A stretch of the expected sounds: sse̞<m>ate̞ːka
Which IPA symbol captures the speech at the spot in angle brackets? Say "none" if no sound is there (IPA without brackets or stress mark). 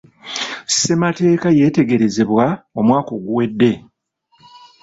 m